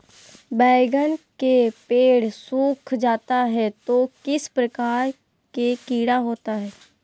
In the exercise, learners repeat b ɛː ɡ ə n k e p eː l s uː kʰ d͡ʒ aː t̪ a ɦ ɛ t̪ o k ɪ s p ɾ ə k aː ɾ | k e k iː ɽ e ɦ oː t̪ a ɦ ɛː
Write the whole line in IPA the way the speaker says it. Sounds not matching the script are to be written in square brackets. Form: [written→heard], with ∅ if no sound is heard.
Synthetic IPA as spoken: b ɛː ɡ ə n k e p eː [l→ɽ] s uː kʰ d͡ʒ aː t̪ a ɦ ɛ t̪ o k ɪ s p ɾ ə k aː ɾ | k e k iː ɽ [e→a] ɦ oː t̪ a ɦ ɛː